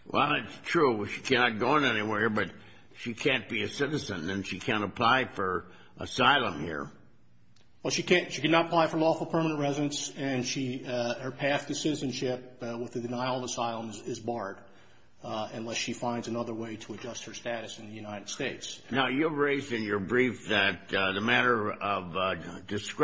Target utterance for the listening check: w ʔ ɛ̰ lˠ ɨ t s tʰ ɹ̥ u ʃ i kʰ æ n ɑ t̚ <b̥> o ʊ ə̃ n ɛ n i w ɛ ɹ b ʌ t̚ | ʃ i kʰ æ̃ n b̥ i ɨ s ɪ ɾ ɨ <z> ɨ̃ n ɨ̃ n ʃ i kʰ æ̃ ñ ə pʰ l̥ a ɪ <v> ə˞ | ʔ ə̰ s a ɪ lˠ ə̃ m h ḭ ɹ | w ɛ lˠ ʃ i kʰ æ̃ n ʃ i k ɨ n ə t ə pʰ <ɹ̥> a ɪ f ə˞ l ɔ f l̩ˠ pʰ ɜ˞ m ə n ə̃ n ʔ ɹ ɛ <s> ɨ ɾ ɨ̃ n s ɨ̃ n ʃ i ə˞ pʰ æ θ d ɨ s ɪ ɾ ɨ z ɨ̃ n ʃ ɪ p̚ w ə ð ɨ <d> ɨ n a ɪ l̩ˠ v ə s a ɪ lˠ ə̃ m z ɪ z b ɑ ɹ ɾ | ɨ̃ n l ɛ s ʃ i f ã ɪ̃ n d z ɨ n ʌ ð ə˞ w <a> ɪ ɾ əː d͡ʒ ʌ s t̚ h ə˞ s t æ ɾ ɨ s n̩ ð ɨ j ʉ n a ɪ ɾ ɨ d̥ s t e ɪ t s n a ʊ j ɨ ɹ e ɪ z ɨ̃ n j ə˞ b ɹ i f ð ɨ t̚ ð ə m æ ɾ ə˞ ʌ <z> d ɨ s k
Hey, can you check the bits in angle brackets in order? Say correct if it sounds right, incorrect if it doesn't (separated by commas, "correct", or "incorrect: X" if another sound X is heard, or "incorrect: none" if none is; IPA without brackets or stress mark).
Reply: incorrect: ɡ̥, correct, incorrect: f, incorrect: l̥, incorrect: z, correct, incorrect: e, incorrect: v